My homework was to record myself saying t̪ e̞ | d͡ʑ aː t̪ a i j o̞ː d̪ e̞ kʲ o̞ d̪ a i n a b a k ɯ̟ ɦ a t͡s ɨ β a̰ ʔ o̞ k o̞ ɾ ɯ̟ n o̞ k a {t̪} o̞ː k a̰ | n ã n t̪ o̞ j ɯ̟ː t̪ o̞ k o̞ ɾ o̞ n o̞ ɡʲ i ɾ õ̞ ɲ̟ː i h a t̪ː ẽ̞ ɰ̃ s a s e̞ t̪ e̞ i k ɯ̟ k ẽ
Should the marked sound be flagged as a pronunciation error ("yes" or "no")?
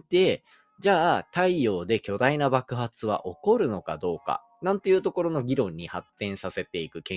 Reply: yes